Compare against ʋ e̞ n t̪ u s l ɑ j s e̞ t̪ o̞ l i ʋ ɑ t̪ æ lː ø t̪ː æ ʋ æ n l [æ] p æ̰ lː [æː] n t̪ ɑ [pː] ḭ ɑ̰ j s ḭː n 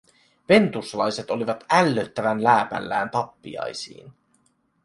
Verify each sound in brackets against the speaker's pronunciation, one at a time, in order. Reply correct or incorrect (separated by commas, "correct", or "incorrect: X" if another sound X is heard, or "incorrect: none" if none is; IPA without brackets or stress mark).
incorrect: æː, correct, correct